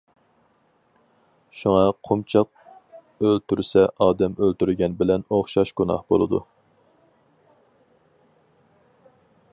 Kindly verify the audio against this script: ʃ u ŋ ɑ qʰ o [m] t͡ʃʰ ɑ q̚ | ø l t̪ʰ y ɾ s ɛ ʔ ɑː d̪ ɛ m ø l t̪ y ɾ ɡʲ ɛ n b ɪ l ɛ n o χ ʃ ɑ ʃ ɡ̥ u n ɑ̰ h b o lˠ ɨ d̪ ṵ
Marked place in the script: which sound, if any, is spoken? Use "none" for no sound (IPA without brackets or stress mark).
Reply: m